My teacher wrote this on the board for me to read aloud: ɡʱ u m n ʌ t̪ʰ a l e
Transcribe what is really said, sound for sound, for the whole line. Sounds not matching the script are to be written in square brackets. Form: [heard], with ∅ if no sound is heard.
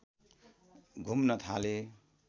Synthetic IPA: ɡʱ u m n ʌ t̪ʰ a l e